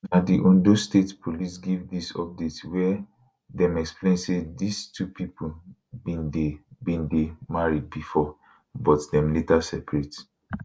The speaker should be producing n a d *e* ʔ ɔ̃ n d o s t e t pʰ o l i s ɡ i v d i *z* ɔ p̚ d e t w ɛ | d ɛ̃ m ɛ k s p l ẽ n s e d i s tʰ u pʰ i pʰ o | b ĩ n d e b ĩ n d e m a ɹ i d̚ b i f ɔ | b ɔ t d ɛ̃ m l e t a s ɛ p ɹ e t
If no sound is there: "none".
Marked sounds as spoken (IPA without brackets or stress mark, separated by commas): i, s